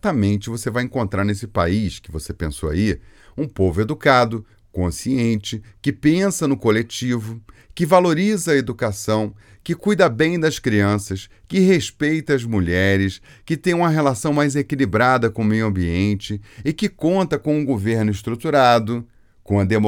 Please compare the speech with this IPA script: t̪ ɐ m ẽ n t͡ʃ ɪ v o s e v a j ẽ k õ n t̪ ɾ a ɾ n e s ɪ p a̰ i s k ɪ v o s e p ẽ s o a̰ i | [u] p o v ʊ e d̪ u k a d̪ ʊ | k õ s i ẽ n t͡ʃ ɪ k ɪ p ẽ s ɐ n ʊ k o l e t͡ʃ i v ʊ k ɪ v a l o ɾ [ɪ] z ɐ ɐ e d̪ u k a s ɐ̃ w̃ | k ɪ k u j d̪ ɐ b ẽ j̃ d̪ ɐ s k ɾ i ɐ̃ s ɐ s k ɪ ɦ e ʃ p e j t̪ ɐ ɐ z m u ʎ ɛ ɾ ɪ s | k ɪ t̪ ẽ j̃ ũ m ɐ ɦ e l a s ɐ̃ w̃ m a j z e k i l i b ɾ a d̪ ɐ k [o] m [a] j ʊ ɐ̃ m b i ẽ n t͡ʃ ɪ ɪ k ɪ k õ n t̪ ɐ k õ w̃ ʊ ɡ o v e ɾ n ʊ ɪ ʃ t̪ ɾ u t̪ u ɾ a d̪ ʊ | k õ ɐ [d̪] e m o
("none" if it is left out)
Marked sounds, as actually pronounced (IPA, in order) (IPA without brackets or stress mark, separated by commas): ũ, i, õ, e, d̪